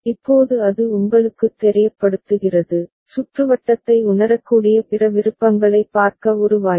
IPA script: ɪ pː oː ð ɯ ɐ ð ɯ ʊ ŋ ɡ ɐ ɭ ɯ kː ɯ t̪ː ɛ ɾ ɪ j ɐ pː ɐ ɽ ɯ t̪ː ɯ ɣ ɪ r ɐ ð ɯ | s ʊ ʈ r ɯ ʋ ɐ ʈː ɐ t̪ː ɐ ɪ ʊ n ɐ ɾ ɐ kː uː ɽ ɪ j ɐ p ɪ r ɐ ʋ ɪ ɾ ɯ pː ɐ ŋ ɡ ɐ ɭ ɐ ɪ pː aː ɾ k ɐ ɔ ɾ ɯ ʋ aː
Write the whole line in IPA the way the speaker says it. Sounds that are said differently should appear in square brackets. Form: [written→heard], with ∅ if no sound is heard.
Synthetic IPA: ɪ pː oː ð ɯ ɐ ð ɯ ʊ ŋ ɡ ɐ ɭ ɯ kː ɯ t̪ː ɛ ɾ ɪ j ɐ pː ɐ ɽ ɯ t̪ː ɯ ɣ ɪ r ɐ ð ɯ | s ʊ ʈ r ɯ ʋ ɐ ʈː ɐ t̪ː ɐ ɪ ʊ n ɐ ɾ ɐ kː uː ɽ ɪ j ɐ p ɪ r ɐ ʋ ɪ ɾ ɯ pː ɐ ŋ ɡ ɐ ɭ ɐ ɪ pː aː ɾ k ɐ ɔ ɾ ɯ ʋ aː

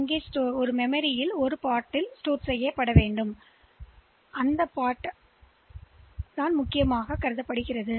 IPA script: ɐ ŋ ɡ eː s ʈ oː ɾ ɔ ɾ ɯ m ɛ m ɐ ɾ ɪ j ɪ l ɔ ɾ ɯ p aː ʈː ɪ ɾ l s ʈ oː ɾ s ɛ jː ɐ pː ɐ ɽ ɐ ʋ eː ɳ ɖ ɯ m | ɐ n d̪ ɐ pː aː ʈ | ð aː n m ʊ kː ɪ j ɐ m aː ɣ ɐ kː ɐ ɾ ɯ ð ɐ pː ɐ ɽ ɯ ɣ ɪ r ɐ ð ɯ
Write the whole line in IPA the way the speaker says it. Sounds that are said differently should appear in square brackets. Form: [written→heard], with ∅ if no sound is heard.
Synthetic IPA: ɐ ŋ ɡ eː s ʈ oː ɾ ɔ ɾ ɯ m ɛ m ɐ ɾ ɪ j ɪ l ɔ ɾ ɯ p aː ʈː ɪ [ɾ→∅] l s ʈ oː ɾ s ɛ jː ɐ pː ɐ ɽ ɐ ʋ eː ɳ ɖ ɯ m | ɐ n d̪ ɐ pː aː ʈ | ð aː n m ʊ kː ɪ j ɐ m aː ɣ ɐ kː ɐ ɾ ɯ ð ɐ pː ɐ ɽ ɯ ɣ ɪ r ɐ ð ɯ

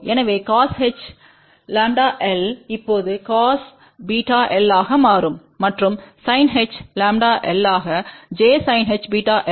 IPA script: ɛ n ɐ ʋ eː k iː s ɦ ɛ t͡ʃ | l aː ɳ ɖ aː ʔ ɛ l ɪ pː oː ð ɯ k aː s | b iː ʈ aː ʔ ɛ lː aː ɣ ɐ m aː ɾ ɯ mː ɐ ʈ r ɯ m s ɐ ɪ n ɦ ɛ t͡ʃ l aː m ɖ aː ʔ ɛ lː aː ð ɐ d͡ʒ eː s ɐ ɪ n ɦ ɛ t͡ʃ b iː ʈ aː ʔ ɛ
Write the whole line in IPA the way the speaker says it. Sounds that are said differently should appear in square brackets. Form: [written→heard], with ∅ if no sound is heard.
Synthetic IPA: ɛ n ɐ ʋ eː k [iː→aː] s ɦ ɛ t͡ʃ | l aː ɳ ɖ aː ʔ ɛ l ɪ pː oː ð ɯ k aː s | b iː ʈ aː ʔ ɛ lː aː ɣ ɐ m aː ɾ ɯ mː ɐ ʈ r ɯ m s ɐ ɪ n ɦ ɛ t͡ʃ l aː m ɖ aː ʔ ɛ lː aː [ð→ɣ] ɐ d͡ʒ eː s ɐ ɪ n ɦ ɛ t͡ʃ b iː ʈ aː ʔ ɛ

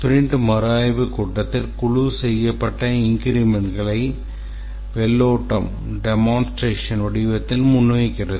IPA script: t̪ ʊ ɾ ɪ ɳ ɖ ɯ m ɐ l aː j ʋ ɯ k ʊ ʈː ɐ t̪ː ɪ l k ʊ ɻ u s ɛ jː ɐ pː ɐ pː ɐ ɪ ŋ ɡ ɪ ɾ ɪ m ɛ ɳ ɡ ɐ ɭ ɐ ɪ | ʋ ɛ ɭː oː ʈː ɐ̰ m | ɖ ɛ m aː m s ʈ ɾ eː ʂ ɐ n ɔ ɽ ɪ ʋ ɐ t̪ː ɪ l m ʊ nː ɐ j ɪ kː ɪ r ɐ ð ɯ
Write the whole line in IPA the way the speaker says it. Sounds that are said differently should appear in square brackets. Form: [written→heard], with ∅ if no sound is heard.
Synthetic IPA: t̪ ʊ ɾ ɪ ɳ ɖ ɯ m ɐ [l→ɾ] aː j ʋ ɯ k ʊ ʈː ɐ t̪ː ɪ l k ʊ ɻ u s ɛ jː ɐ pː ɐ [pː→ʈː] ɐ ɪ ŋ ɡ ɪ ɾ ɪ m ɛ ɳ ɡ ɐ ɭ ɐ ɪ | ʋ ɛ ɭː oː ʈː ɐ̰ m | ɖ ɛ m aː [m→n] s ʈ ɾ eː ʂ ɐ n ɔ ɽ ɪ ʋ ɐ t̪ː ɪ l m ʊ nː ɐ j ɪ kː ɪ r ɐ ð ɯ

